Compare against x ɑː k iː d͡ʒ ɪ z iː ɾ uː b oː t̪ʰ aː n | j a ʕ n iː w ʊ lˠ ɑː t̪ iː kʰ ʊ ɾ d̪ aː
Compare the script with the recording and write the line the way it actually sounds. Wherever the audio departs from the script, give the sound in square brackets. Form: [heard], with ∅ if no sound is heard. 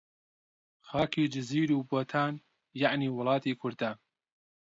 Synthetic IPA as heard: x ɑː k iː d͡ʒ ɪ z iː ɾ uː b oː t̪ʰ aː n | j a ʕ n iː w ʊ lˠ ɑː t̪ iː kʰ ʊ ɾ d̪ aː